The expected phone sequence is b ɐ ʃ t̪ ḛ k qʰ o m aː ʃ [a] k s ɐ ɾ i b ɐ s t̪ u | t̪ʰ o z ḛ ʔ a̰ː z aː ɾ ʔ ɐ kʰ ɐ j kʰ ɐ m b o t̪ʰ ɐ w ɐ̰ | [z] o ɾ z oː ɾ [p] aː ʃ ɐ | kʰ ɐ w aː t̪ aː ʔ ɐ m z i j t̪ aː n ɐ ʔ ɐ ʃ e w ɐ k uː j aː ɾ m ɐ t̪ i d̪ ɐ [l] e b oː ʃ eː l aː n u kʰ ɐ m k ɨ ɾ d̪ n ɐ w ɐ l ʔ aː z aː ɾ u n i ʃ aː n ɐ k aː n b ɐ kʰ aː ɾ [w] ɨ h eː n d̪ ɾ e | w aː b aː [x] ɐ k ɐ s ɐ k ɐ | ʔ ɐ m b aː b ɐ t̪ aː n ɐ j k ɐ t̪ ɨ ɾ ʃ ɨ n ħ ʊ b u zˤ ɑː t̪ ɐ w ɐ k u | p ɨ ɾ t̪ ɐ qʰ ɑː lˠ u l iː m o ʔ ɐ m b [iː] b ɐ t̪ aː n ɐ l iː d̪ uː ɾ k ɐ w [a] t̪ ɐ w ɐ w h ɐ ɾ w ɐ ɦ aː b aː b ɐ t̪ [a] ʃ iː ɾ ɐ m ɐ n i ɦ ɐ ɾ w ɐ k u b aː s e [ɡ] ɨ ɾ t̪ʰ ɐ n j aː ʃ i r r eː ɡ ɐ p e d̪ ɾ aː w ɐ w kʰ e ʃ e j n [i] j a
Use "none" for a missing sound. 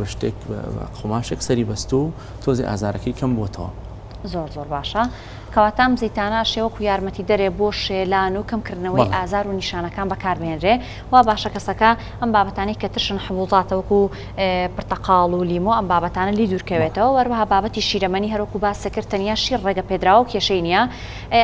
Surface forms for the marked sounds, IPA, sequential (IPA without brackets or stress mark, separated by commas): e, z, b, ɾ, b, ʃ, aː, e, i, k, i